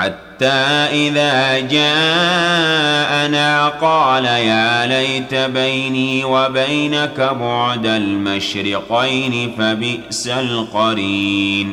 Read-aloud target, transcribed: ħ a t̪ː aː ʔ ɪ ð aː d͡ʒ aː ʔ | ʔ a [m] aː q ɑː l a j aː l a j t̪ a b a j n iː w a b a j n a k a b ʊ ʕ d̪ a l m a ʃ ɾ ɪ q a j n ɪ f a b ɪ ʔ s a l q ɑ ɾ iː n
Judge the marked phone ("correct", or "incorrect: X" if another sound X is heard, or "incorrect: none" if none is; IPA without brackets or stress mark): incorrect: n